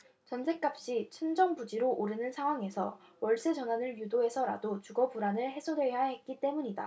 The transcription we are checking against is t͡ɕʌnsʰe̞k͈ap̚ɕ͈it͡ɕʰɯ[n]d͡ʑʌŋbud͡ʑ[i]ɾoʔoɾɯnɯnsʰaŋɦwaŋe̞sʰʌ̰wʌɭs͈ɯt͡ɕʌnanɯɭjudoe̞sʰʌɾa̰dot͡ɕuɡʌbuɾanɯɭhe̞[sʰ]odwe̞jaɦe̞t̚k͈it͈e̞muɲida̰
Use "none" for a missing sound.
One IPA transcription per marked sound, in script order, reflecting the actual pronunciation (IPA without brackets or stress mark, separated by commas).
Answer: n, i, sʰ